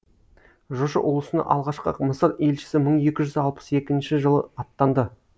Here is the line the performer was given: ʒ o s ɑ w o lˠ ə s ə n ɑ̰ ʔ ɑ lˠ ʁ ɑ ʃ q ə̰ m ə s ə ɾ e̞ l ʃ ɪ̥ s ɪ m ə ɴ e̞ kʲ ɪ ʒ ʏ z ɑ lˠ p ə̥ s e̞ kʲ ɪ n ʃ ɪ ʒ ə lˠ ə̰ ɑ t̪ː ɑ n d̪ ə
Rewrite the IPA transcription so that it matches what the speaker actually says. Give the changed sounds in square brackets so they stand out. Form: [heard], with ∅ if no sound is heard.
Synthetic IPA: ʒ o [ʃ] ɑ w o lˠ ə s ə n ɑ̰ ʔ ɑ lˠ ʁ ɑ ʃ q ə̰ m ə s ə ɾ e̞ l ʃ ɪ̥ s ɪ m ə ɴ e̞ kʲ ɪ ʒ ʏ z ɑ lˠ p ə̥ s e̞ kʲ ɪ n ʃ ɪ ʒ ə lˠ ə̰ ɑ t̪ː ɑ n d̪ ə